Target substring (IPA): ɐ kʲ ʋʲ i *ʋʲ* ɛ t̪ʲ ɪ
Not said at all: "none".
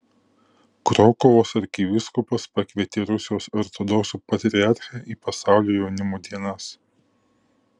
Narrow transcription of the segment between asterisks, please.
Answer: none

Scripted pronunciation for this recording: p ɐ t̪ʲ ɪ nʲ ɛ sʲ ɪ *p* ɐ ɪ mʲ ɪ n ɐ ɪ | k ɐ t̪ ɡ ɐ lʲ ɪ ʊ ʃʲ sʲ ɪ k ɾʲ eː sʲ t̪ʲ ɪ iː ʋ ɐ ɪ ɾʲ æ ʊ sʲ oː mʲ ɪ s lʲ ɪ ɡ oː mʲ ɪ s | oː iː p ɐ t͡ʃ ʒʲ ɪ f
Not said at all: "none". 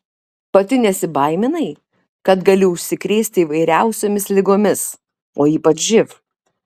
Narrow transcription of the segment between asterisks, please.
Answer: b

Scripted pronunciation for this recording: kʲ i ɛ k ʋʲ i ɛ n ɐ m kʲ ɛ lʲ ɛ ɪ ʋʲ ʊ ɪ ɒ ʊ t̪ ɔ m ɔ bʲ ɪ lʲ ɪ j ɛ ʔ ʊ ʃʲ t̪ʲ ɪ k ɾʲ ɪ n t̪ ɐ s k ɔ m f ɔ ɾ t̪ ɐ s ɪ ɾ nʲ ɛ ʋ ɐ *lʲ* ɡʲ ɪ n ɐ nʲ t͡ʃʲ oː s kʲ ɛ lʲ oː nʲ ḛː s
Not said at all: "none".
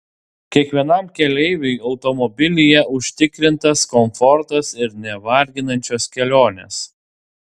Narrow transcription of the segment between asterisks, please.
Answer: ɾʲ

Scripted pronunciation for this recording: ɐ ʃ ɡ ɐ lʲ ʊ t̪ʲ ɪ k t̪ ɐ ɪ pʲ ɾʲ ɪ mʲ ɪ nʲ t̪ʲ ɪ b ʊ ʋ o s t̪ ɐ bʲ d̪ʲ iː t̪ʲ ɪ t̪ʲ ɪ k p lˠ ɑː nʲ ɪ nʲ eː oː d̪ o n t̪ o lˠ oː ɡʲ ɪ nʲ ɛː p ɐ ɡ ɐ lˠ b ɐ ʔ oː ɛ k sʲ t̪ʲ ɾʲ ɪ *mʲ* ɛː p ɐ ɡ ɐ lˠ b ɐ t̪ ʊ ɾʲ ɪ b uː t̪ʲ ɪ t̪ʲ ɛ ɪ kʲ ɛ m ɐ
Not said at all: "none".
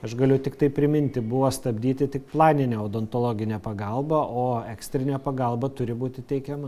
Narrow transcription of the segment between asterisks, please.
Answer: nʲ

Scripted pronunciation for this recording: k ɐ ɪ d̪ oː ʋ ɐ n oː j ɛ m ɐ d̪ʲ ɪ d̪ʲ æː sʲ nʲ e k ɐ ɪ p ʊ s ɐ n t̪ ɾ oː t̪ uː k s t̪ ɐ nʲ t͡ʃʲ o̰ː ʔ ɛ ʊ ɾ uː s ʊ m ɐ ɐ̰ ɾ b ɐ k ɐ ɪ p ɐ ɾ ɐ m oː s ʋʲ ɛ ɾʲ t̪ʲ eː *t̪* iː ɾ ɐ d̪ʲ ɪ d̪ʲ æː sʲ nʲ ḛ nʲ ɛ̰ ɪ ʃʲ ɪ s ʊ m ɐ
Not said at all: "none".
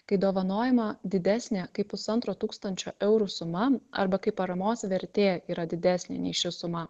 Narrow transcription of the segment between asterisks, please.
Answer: none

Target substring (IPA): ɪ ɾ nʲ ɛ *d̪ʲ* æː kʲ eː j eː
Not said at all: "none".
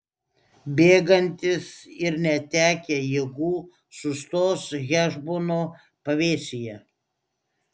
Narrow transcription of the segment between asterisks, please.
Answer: t̪ʲ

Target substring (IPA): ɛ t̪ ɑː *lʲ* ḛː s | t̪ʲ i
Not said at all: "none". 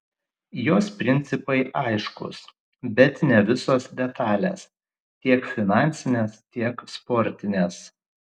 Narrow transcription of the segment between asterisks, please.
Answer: lʲ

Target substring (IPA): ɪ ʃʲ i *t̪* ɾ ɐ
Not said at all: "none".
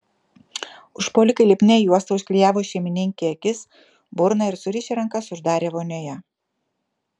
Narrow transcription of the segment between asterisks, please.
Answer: none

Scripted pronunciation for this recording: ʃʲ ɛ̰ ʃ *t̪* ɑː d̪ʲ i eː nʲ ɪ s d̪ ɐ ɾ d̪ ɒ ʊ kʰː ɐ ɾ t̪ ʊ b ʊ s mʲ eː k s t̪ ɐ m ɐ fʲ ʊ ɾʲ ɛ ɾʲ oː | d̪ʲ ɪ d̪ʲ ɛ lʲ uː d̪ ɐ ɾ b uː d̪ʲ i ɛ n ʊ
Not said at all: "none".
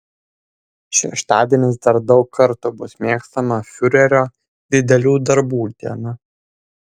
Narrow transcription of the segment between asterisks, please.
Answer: t̪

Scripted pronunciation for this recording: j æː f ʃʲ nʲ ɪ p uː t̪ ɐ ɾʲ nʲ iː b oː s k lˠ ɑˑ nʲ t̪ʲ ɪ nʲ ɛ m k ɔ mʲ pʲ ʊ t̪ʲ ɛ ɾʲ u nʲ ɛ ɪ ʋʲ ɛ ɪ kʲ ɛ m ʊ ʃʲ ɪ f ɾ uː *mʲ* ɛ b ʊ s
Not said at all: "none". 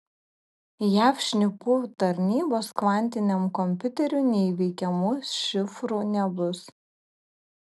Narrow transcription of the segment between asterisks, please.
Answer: nʲ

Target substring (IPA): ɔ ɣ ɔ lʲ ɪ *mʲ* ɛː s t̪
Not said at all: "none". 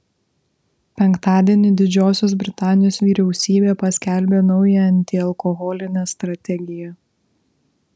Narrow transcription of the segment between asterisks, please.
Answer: nʲ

